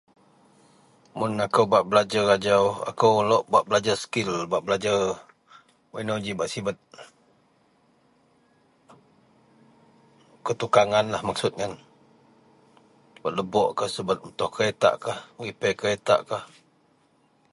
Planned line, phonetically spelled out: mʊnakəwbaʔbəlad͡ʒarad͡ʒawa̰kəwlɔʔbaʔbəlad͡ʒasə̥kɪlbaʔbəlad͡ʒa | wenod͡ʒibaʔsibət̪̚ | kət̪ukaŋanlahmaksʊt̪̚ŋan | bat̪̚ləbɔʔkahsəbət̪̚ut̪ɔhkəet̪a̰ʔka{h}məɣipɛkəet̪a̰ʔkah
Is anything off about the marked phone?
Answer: no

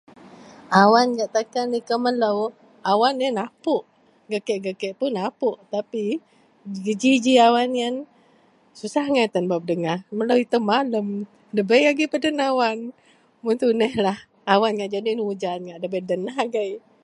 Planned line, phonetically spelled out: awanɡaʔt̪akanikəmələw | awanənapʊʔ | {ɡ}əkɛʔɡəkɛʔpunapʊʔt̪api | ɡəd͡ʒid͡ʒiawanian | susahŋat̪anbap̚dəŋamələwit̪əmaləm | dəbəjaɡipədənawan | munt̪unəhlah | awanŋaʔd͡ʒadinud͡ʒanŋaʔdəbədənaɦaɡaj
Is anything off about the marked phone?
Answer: no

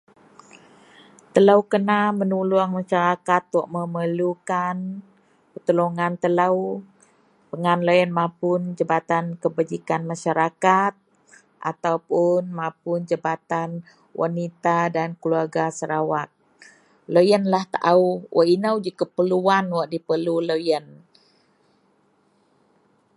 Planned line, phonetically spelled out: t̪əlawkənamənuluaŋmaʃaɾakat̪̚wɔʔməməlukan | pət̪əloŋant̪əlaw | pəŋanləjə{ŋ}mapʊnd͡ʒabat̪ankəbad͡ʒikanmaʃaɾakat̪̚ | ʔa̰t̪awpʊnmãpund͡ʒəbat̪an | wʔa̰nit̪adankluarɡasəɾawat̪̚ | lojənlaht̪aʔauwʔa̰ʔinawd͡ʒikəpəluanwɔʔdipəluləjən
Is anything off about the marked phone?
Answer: yes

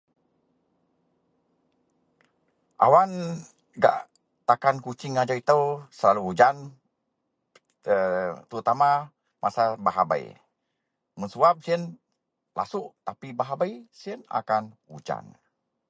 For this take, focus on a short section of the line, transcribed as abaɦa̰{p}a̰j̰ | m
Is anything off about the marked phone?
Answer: yes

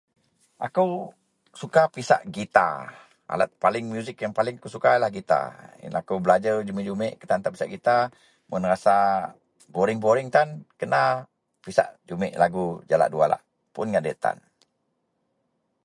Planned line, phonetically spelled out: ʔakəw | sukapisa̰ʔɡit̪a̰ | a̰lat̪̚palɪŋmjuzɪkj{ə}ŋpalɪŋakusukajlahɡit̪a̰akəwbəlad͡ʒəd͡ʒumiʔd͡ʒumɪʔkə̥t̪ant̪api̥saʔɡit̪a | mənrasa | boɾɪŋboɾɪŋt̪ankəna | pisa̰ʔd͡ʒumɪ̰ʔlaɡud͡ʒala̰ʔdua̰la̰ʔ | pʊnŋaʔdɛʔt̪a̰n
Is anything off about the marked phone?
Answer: yes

